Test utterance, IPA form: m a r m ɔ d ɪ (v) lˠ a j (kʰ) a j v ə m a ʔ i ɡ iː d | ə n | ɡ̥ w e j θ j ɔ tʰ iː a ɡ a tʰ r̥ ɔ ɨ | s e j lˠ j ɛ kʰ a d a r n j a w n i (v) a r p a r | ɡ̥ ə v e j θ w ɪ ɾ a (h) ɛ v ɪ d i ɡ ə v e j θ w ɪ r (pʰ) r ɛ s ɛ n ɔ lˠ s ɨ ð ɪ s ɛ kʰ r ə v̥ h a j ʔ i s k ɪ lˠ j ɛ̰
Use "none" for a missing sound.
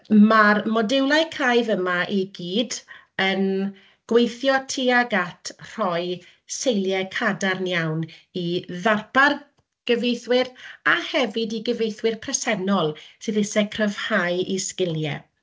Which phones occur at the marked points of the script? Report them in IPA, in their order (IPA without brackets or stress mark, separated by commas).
w, kʰ, ð, h, pʰ